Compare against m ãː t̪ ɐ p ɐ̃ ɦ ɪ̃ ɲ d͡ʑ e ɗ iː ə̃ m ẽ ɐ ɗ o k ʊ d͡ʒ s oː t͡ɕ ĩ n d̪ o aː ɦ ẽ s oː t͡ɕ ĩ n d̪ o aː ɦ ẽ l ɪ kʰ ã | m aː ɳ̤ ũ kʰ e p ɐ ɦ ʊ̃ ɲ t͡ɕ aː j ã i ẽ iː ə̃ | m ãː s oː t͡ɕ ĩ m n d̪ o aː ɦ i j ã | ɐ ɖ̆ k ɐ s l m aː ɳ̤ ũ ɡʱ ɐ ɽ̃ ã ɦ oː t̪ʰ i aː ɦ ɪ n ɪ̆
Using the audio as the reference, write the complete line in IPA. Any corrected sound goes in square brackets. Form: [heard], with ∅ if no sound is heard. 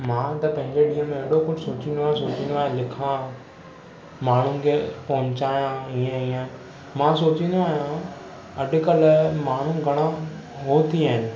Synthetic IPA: m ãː t̪ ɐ p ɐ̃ ɦ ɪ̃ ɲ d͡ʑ e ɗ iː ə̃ m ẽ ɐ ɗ o k ʊ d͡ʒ s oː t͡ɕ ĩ n d̪ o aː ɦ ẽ s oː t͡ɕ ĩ n d̪ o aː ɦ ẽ l ɪ kʰ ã | m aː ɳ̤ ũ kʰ e p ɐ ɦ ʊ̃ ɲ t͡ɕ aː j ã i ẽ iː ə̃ | m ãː s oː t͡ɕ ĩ [∅] n d̪ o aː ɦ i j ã | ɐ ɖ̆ k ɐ [∅] l m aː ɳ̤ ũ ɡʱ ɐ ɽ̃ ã ɦ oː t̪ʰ i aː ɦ ɪ n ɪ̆

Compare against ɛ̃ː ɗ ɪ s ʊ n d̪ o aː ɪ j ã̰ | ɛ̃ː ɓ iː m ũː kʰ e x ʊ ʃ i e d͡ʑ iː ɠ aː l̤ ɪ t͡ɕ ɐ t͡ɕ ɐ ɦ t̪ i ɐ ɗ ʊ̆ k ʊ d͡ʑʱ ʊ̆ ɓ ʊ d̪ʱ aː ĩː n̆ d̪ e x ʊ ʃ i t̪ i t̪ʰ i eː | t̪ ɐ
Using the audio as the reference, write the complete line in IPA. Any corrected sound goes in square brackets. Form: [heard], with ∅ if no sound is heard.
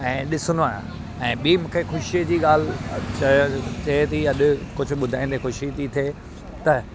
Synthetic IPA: ɛ̃ː ɗ ɪ s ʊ n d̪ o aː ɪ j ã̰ | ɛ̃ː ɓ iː m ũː kʰ e x ʊ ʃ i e d͡ʑ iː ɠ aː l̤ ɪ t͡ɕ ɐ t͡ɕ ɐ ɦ t̪ i ɐ ɗ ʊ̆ k ʊ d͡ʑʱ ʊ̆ ɓ ʊ d̪ʱ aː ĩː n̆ d̪ e x ʊ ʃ i t̪ i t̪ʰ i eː | t̪ ɐ

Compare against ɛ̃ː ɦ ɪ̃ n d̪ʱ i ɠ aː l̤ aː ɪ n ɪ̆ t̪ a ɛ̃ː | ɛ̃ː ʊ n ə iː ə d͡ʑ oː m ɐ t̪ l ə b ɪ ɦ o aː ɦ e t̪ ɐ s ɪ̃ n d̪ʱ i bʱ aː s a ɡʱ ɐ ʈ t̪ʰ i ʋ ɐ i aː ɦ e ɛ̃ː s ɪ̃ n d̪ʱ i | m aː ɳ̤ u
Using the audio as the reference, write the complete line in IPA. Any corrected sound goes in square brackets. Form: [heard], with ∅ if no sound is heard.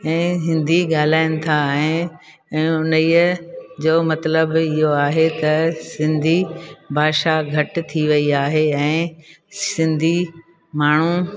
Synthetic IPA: ɛ̃ː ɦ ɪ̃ n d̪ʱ i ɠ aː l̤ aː ɪ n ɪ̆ [t̪ʰ] a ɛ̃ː | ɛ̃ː ʊ n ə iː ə d͡ʑ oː m ɐ t̪ l ə b ɪ ɦ o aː ɦ e t̪ ɐ s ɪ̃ n d̪ʱ i bʱ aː [ʃ] a ɡʱ ɐ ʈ t̪ʰ i ʋ ɐ i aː ɦ e ɛ̃ː s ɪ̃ n d̪ʱ i | m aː ɳ̤ u

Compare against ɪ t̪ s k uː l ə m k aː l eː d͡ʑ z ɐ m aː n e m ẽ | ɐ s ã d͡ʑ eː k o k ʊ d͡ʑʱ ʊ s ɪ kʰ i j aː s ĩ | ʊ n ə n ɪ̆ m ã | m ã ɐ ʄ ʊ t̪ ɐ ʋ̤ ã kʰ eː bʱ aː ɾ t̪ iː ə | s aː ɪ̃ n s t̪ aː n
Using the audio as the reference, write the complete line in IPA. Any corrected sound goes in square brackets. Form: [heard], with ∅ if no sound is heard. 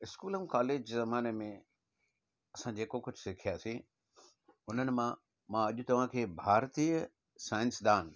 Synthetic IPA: ɪ [∅] s k uː l ə m k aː l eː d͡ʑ z ɐ m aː n e m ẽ | ɐ s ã d͡ʑ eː k o k ʊ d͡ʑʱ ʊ s ɪ kʰ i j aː s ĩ | ʊ n ə n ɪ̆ m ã | m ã ɐ ʄ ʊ t̪ ɐ ʋ̤ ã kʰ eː bʱ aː ɾ t̪ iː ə | s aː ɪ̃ n s [d̪] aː n

